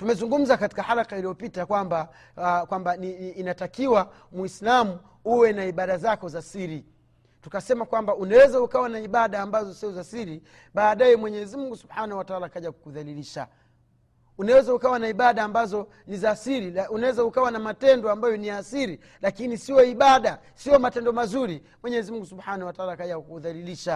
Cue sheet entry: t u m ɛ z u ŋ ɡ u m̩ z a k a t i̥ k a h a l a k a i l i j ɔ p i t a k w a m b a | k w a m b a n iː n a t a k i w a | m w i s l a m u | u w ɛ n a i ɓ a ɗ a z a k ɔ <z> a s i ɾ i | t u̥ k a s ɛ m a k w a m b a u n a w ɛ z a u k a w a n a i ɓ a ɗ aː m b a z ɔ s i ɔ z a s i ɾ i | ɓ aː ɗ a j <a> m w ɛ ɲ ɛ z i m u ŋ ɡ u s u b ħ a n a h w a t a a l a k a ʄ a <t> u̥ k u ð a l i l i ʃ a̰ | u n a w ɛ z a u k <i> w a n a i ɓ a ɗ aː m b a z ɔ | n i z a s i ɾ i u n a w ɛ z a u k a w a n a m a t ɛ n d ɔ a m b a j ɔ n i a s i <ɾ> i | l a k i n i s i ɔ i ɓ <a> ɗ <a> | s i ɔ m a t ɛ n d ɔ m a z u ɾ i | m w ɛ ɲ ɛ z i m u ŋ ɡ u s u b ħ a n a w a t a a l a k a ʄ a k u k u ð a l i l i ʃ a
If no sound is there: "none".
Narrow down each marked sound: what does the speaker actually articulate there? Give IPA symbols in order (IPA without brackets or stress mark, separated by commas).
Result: z, ɛ, k, a, ɾ, a, a